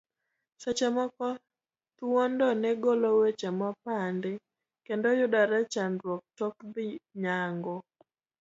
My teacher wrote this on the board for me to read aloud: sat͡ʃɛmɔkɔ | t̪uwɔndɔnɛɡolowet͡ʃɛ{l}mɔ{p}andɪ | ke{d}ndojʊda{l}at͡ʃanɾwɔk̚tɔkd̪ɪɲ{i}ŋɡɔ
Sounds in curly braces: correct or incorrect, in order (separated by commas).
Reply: incorrect, correct, incorrect, incorrect, incorrect